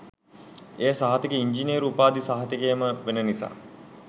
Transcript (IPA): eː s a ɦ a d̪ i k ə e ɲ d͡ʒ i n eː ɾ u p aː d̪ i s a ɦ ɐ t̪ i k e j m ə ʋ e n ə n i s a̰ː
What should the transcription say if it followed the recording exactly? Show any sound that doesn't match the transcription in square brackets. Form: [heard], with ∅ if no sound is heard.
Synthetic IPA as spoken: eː s a ɦ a [t̪] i k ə [i] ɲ d͡ʒ i n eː ɾ u p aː d̪ i s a ɦ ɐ t̪ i k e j m ə ʋ e n ə n i s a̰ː